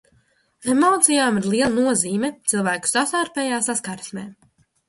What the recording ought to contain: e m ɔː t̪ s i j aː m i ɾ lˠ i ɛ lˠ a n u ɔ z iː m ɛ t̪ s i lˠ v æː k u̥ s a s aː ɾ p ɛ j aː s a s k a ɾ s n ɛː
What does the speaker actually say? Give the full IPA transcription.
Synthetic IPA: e m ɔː t̪ s i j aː m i ɾ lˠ i ɛ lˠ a n u ɔ z iː m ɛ t̪ s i lˠ v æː k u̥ s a s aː ɾ p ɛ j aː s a s k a ɾ s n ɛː